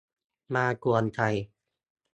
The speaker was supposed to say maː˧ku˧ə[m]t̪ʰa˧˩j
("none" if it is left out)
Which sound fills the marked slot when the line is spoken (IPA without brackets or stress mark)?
n